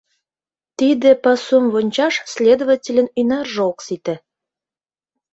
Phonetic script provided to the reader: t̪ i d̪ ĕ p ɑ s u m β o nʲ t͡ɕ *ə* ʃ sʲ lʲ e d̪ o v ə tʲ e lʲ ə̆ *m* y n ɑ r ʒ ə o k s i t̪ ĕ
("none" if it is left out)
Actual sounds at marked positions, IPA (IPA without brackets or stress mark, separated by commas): ɑ, n